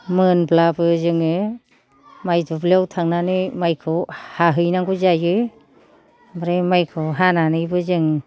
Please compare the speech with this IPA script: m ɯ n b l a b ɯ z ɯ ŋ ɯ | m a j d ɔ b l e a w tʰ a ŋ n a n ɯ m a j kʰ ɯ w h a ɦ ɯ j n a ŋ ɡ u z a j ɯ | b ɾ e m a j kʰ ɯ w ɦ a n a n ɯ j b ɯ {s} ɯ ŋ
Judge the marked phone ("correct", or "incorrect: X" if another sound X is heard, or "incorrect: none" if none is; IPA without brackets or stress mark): incorrect: z